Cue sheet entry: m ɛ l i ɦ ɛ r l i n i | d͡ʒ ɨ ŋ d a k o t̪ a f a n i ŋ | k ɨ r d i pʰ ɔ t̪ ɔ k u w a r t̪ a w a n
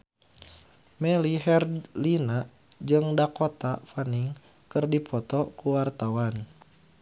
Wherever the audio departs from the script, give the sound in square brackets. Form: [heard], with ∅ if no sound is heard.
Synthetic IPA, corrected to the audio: m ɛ l i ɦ ɛ r l i n [a] | d͡ʒ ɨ ŋ d a k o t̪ a f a n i ŋ | k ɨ r d i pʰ ɔ t̪ ɔ k u w a r t̪ a w a n